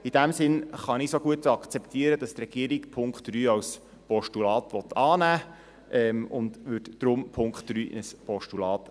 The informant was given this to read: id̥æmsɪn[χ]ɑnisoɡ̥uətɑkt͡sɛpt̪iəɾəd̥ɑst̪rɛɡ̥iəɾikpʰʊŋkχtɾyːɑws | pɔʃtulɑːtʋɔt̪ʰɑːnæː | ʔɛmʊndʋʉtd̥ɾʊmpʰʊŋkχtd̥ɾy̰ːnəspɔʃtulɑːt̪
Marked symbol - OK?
yes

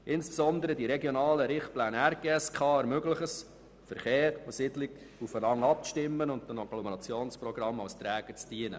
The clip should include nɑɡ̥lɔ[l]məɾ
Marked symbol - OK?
no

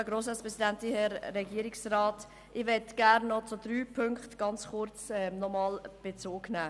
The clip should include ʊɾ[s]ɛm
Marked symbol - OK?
no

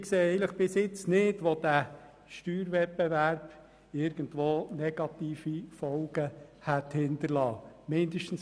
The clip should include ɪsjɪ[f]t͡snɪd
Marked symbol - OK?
no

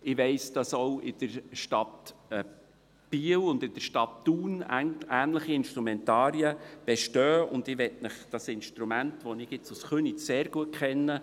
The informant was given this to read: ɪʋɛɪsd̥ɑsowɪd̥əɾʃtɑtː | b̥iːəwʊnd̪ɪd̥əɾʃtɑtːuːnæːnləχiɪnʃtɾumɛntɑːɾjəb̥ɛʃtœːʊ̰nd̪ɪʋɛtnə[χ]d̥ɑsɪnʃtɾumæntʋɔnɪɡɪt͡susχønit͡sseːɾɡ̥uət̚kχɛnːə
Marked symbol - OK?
yes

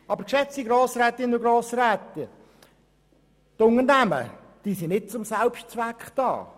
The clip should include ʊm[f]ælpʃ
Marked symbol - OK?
no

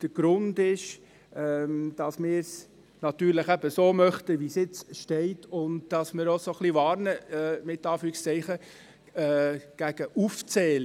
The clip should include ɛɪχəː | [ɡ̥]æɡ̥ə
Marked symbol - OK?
yes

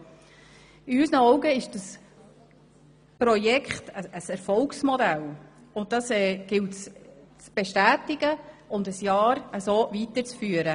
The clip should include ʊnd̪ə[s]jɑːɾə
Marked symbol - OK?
yes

